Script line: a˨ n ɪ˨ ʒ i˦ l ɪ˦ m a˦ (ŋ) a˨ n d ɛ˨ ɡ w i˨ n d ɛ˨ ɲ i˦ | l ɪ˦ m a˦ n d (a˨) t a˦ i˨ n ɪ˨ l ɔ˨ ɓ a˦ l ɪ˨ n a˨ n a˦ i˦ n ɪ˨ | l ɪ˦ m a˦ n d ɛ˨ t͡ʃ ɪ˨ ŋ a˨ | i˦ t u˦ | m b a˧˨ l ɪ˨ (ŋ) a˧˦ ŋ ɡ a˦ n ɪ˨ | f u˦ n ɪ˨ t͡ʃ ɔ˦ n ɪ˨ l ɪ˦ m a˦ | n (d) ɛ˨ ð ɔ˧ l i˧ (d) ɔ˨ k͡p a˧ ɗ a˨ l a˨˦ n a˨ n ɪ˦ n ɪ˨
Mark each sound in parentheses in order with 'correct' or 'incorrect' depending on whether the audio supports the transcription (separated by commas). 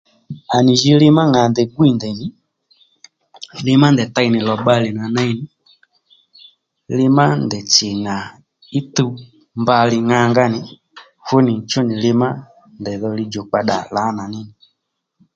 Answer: correct, incorrect, correct, correct, incorrect